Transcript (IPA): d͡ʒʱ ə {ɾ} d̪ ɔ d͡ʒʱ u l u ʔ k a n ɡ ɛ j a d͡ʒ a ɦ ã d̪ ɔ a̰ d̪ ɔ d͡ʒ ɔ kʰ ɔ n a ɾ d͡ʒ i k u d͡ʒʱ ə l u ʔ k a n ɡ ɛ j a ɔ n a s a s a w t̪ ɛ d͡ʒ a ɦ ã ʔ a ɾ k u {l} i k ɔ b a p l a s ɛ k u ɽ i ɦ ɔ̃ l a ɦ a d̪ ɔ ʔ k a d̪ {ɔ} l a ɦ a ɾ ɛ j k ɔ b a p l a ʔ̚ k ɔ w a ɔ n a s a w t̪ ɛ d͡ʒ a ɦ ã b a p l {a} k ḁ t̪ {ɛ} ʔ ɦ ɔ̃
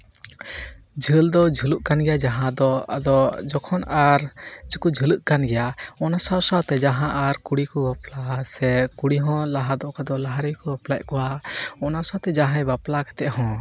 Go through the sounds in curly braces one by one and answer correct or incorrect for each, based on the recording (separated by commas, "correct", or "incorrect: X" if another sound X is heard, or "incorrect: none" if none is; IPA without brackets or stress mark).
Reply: incorrect: l, incorrect: ɽ, correct, correct, correct